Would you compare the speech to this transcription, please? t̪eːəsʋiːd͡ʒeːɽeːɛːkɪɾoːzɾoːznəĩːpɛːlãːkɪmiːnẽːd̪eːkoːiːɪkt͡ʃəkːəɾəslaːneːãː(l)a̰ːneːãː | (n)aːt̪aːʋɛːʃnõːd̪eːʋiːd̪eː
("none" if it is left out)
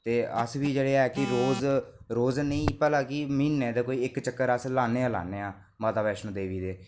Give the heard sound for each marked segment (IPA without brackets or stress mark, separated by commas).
l, m